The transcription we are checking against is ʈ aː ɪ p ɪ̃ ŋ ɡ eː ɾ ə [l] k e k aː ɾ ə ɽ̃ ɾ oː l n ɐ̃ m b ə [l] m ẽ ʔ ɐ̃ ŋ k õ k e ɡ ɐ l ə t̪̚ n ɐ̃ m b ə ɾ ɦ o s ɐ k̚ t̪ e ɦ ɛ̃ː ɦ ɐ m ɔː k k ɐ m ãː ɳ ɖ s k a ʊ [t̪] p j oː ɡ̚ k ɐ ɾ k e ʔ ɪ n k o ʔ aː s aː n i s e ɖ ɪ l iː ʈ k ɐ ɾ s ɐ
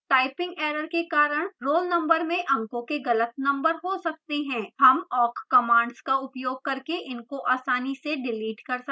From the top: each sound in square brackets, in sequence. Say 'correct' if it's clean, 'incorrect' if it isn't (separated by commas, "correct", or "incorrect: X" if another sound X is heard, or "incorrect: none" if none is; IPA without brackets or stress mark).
incorrect: ɾ, incorrect: ɾ, incorrect: none